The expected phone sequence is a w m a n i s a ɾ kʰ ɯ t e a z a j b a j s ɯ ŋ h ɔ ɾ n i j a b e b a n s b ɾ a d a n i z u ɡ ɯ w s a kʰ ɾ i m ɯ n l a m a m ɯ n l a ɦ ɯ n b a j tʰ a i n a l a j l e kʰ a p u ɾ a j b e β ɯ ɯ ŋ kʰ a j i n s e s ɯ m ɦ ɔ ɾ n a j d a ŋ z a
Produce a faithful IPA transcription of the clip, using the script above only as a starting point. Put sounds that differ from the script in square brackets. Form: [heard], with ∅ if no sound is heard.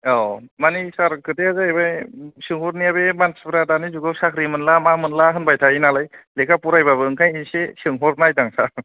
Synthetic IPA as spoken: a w m a n i s a ɾ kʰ ɯ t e a z a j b a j s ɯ ŋ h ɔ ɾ n i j a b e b a n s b ɾ a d a n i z u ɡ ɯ w s a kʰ ɾ i m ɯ n l a m a m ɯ n l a ɦ ɯ n b a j tʰ a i n a l a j l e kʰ a p u ɾ a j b [a] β ɯ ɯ ŋ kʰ a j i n s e s ɯ [ŋ] ɦ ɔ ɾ n a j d a ŋ [s] a

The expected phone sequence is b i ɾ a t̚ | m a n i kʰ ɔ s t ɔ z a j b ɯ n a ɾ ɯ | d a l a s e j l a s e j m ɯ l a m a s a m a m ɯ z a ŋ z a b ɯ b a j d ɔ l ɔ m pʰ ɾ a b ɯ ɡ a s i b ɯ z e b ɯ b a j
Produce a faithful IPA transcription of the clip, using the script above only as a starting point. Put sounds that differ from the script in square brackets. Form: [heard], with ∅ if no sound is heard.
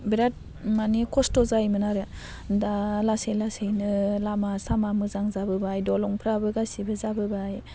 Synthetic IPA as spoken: b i ɾ a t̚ | m a n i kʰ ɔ s t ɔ z a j [m] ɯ n a ɾ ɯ | d a l a s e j l a s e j [n] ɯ l a m a s a m a m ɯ z a ŋ z a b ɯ b a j d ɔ l ɔ [ŋ] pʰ ɾ a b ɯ ɡ a s i b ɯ z [a] b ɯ b a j

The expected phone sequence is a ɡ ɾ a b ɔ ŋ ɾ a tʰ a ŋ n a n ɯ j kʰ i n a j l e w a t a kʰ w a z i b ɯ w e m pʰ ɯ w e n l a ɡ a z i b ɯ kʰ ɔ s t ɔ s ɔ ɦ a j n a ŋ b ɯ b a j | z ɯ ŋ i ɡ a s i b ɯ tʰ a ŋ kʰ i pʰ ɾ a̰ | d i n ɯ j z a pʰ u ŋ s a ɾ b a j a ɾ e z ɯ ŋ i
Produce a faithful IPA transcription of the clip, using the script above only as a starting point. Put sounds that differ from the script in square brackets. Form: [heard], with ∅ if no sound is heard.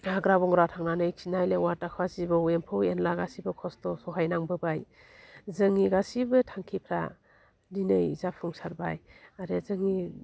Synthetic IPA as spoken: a ɡ ɾ a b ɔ ŋ ɾ a tʰ a ŋ n a n ɯ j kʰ i n a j l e w a t a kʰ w a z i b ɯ w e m pʰ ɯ w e n l a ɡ a [s] i b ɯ kʰ ɔ s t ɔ s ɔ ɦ a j n a ŋ b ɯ b a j | z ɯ ŋ i ɡ a s i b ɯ tʰ a ŋ kʰ i pʰ ɾ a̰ | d i n ɯ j z a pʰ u ŋ s a ɾ b a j a ɾ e z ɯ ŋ i

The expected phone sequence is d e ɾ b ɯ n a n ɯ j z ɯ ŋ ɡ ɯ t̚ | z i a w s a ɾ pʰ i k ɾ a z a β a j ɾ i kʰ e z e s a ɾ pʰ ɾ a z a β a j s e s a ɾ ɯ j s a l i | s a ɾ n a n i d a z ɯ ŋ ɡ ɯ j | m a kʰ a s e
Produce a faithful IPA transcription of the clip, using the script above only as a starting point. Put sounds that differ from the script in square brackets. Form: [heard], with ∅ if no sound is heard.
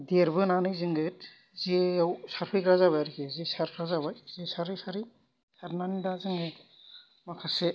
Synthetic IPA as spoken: d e ɾ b ɯ n a n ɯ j z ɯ ŋ ɡ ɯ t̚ | z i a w s a ɾ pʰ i k ɾ a z a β a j ɾ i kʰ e z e s a ɾ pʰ ɾ a z a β a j [z] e s a ɾ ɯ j s a [ɾ] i | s a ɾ n a n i d a z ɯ ŋ ɡ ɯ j | m a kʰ a s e

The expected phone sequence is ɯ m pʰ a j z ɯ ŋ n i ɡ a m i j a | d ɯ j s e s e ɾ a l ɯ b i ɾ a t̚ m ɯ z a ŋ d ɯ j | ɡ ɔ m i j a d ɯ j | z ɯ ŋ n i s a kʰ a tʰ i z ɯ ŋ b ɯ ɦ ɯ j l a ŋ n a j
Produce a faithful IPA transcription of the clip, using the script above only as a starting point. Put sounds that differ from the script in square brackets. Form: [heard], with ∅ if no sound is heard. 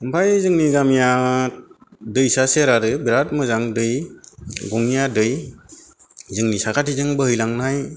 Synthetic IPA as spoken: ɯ m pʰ a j z ɯ ŋ n i ɡ a m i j a | d ɯ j s [a] s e ɾ a [ɾ] ɯ b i ɾ a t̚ m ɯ z a ŋ d ɯ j | ɡ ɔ [ŋ] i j a d ɯ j | z ɯ ŋ n i s a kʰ a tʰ i z ɯ ŋ b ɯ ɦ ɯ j l a ŋ n a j

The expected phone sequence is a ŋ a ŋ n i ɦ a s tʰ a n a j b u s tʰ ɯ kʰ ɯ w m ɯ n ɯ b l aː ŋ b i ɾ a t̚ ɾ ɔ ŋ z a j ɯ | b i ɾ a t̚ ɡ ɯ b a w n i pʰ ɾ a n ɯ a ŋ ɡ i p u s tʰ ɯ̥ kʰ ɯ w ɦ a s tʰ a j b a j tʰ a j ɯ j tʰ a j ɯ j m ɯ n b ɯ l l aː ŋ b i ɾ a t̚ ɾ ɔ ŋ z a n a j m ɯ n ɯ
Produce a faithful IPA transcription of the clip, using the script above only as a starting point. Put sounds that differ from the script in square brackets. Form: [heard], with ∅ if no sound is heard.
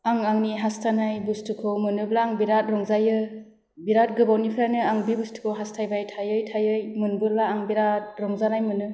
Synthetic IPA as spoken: a ŋ a ŋ n i ɦ a s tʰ a n a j b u s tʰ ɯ kʰ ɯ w m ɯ n ɯ b l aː ŋ b i ɾ a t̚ ɾ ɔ ŋ z a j ɯ | b i ɾ a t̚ ɡ ɯ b a w n i pʰ ɾ a n ɯ a ŋ [b] i [b] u s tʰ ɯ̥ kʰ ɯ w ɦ a s tʰ a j b a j tʰ a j ɯ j tʰ a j ɯ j m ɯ n b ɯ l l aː ŋ b i ɾ a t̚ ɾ ɔ ŋ z a n a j m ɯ n ɯ

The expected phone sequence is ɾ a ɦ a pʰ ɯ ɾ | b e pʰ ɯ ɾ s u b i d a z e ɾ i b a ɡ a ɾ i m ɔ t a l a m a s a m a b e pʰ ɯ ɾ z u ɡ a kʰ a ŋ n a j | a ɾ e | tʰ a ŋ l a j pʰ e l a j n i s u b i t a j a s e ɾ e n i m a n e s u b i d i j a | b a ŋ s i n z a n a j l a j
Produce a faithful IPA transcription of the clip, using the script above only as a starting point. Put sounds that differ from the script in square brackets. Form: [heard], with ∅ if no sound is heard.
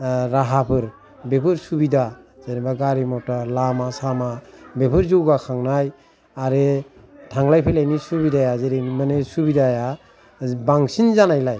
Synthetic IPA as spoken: ɾ a ɦ a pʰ ɯ ɾ | b e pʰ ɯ ɾ s u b i d a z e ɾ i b a ɡ a ɾ i m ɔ t a l a m a s a m a b e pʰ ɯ ɾ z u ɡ a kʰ a ŋ n a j | a ɾ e | tʰ a ŋ l a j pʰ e l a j n i s u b i [d] a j a [z] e ɾ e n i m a n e s u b i d [a] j a | b a ŋ s i n z a n a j l a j

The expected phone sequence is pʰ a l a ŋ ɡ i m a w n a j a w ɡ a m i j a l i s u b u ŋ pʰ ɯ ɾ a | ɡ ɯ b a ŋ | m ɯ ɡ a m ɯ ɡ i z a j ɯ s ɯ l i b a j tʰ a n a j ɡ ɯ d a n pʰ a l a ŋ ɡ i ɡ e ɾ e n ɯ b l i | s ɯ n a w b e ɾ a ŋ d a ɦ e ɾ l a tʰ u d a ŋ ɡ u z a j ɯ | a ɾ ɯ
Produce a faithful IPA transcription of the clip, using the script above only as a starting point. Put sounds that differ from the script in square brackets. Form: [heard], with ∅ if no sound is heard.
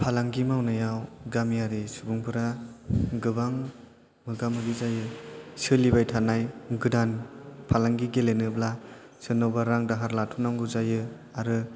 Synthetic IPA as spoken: pʰ a l a ŋ ɡ i m a w n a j a w ɡ a m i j a [ɾ] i s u b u ŋ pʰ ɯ ɾ a | ɡ ɯ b a ŋ | m ɯ ɡ a m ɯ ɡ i z a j ɯ s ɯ l i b a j tʰ a n a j ɡ ɯ d a n pʰ a l a ŋ ɡ i ɡ e [l] e n ɯ b l [a] | s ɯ n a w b [a] ɾ a ŋ d a ɦ [a] ɾ l a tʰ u [n] a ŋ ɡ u z a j ɯ | a ɾ ɯ

